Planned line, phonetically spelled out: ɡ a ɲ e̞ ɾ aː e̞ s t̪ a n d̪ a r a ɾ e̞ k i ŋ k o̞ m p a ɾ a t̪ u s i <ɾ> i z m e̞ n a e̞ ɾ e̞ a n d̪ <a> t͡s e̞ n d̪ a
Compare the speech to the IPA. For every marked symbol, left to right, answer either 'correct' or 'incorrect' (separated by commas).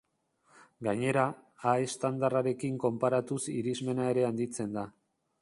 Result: correct, incorrect